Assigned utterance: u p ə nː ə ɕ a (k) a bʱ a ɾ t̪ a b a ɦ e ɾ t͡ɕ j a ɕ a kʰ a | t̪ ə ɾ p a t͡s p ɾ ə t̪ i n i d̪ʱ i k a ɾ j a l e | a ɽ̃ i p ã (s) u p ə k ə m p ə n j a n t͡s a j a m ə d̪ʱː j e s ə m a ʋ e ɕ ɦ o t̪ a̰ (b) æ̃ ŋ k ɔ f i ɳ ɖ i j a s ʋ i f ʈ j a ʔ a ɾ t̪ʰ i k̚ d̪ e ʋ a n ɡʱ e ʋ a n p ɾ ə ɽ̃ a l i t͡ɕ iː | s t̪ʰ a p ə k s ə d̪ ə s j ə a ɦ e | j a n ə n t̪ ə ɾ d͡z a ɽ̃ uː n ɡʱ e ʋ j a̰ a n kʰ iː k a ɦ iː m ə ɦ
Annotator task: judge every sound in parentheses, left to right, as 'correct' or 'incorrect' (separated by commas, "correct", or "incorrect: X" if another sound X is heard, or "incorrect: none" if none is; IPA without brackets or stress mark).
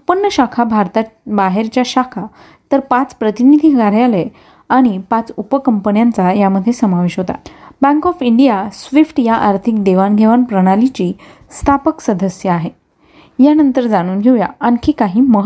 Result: incorrect: kʰ, incorrect: t͡s, correct